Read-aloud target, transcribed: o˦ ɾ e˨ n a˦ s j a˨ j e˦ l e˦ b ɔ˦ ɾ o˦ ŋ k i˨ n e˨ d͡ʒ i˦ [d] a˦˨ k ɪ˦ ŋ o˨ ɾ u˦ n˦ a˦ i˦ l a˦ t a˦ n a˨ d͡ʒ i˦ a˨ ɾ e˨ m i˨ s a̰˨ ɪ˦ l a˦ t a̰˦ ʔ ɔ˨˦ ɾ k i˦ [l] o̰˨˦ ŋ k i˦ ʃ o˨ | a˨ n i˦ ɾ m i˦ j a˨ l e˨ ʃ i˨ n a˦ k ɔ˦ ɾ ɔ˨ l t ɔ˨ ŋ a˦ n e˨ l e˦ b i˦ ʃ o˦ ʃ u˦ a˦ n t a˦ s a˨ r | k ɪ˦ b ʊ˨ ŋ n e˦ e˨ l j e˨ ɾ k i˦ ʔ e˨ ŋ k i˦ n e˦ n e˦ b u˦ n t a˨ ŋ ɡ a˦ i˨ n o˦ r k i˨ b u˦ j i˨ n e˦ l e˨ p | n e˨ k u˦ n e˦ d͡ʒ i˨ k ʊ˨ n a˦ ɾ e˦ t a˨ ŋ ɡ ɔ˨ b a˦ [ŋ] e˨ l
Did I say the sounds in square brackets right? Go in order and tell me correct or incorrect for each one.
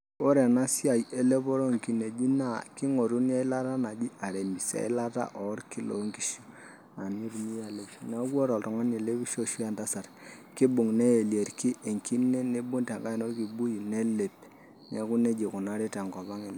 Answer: incorrect: n, correct, correct

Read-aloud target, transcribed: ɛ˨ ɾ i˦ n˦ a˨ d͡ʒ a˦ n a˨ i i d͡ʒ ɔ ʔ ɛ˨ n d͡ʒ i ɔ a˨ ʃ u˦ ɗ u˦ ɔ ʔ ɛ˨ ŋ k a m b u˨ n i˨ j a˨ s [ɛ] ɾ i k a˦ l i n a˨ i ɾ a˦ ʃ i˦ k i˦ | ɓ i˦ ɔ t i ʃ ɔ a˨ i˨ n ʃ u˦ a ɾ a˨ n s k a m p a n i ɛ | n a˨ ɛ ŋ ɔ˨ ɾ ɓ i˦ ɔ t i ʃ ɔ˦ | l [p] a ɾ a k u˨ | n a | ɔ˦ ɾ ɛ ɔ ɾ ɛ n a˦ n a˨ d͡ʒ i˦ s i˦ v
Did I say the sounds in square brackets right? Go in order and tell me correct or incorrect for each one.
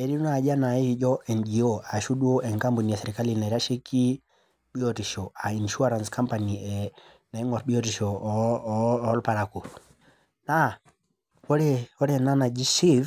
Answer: correct, correct

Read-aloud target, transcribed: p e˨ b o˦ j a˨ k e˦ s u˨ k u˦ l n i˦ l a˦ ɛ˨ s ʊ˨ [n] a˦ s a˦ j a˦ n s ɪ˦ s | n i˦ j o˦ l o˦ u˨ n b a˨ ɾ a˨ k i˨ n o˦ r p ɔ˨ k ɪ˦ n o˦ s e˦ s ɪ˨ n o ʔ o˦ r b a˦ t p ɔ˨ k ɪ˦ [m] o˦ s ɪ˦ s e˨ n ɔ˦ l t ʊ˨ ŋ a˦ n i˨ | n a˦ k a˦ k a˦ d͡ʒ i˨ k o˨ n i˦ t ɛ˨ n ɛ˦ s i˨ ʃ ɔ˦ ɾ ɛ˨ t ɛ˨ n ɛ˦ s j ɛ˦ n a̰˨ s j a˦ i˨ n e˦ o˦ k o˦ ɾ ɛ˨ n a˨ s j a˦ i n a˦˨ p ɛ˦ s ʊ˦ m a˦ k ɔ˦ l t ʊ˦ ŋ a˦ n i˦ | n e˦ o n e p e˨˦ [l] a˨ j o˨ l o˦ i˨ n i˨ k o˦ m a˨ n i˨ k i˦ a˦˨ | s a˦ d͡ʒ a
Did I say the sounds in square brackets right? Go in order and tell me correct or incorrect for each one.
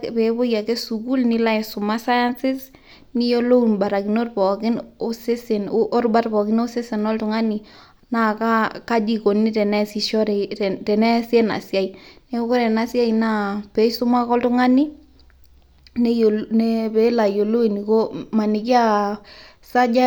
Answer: incorrect: m, incorrect: n, correct

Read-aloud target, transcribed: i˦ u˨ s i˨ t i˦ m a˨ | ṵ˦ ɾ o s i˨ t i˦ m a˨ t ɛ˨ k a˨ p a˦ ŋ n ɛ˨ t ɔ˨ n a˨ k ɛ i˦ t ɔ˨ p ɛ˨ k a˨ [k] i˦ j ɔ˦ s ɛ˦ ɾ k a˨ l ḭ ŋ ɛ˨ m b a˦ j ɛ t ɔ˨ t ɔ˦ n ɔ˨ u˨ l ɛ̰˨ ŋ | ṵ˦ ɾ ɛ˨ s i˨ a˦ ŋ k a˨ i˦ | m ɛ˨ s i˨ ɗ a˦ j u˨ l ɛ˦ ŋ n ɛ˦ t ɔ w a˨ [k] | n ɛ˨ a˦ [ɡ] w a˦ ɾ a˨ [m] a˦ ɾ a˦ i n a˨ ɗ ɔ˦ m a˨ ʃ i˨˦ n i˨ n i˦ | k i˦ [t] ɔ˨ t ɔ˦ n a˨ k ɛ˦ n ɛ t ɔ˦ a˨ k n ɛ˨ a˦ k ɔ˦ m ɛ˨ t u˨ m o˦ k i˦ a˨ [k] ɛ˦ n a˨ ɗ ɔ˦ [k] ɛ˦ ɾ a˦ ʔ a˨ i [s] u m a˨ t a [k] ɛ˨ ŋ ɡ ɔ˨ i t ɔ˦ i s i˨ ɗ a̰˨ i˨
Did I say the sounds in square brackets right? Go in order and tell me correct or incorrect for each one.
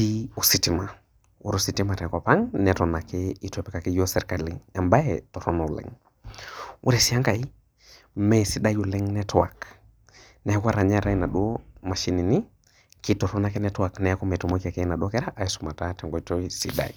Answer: correct, correct, incorrect: k, incorrect: ɲ, correct, correct, correct, correct, incorrect: t

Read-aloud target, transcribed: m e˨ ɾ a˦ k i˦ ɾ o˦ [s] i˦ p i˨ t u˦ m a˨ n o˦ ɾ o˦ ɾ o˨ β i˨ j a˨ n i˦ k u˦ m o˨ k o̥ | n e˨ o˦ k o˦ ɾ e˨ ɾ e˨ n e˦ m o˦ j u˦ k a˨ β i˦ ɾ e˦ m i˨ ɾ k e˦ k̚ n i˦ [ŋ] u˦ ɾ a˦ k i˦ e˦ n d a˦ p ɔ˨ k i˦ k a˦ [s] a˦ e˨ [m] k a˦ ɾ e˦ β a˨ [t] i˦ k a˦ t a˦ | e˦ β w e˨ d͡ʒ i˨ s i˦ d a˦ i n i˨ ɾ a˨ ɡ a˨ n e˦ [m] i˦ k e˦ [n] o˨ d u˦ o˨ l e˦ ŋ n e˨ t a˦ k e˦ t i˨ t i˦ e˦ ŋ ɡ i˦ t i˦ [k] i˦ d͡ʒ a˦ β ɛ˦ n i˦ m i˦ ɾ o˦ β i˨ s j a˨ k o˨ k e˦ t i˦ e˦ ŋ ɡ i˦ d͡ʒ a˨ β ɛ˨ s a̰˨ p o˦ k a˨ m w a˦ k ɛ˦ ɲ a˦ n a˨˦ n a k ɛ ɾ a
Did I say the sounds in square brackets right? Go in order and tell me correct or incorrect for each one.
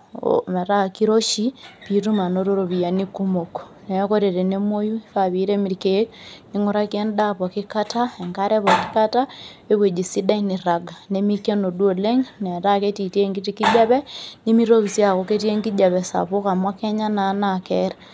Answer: incorrect: ʃ, correct, incorrect: t, incorrect: ŋ, incorrect: k, correct, correct, correct

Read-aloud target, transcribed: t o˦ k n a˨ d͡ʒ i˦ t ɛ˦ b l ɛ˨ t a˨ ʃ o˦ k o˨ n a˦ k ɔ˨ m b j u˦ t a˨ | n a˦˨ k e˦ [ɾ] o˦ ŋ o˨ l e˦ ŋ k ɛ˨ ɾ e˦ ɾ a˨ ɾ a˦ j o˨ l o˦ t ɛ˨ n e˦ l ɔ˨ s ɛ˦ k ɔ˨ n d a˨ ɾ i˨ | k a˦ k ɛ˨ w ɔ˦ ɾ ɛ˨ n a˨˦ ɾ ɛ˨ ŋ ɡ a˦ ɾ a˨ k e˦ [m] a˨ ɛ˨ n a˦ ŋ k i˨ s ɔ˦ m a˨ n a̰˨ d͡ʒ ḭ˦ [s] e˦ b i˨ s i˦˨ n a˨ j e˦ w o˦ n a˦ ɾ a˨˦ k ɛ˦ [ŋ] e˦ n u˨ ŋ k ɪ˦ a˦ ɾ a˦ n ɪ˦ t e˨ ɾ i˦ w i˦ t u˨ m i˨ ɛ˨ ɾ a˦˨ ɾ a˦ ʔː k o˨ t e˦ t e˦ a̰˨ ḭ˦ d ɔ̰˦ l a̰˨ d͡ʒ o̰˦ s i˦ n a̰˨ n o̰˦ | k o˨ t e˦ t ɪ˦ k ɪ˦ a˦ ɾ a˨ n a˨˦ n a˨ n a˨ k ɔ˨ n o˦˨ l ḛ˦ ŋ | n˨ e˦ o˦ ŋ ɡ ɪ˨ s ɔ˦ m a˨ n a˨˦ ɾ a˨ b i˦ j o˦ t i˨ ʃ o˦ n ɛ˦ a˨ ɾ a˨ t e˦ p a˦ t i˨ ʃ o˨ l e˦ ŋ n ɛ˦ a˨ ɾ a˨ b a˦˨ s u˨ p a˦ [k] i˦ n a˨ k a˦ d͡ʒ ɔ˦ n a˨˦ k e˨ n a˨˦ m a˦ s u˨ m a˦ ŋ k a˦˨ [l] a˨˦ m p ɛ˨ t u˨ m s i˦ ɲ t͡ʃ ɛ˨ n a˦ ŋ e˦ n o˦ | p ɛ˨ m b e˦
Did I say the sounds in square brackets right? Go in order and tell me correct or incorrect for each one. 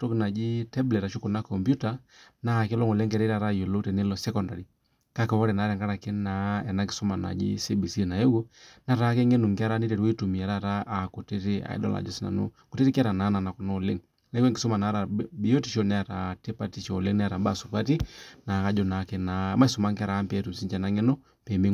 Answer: incorrect: l, incorrect: n, correct, correct, incorrect: t, incorrect: ɾ

